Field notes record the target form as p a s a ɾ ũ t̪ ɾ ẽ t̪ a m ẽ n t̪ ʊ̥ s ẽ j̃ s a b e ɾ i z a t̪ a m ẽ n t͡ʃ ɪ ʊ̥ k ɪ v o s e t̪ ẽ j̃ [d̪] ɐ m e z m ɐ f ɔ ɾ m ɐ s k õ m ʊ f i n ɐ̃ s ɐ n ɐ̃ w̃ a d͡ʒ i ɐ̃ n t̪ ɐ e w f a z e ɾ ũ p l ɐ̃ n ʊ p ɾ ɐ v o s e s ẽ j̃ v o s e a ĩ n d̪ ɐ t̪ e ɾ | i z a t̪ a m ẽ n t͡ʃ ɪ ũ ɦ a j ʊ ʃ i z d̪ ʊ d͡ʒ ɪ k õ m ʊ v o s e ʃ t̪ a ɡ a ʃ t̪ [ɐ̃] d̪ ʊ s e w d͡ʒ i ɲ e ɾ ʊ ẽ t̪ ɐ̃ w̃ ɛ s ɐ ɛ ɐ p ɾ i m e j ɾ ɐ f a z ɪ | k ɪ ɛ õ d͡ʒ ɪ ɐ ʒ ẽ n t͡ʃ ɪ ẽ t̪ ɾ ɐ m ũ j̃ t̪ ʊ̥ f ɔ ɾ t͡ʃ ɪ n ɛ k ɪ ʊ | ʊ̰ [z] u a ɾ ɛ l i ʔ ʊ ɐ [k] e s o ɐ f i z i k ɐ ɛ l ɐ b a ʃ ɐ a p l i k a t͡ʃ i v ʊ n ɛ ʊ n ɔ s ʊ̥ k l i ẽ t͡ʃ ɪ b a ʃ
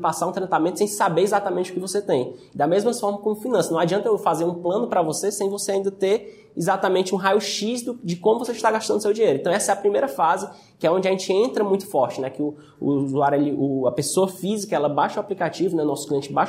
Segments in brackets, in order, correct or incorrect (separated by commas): correct, correct, correct, incorrect